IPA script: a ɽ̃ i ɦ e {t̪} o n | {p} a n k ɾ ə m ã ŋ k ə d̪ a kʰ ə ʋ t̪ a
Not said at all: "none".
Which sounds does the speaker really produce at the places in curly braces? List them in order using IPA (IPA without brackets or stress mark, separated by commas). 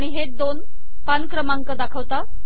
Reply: d̪, p